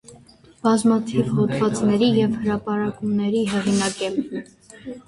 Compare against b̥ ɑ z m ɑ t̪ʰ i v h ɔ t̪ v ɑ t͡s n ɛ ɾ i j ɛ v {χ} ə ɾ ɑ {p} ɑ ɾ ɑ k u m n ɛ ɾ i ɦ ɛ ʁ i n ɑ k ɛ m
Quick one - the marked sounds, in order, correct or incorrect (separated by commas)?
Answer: incorrect, correct